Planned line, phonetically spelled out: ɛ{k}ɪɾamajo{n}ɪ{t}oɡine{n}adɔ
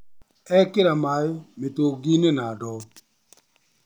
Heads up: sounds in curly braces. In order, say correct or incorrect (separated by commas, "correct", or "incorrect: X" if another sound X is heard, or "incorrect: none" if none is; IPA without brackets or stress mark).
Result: correct, incorrect: m, correct, correct